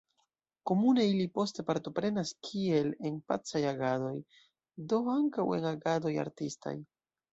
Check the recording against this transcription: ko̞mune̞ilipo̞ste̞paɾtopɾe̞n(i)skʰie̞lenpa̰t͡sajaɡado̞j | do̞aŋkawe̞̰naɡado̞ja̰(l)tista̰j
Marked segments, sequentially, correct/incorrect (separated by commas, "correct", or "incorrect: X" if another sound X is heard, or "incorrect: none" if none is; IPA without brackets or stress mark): incorrect: a, incorrect: ɾ